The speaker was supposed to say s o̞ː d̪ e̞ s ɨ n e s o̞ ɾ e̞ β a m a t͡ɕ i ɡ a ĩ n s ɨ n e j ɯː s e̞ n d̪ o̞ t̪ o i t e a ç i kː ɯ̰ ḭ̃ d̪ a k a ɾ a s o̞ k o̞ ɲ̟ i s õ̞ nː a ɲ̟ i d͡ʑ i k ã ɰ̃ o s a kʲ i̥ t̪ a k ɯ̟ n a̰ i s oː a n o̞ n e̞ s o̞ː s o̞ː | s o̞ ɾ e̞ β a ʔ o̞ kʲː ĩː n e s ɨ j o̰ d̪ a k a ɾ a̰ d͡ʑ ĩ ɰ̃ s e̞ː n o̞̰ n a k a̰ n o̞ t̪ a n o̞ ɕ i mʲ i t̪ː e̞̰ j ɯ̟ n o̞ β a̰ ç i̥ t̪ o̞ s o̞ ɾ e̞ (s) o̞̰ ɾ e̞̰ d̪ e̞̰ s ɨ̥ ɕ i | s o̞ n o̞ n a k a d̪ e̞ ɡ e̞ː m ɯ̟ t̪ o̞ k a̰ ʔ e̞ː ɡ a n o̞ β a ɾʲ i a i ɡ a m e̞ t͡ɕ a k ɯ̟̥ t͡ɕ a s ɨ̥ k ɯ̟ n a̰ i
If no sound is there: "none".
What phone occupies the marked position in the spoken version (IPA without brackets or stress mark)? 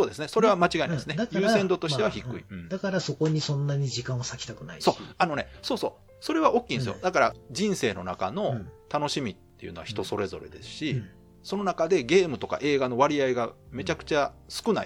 z